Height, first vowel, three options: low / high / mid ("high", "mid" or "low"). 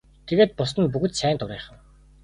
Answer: mid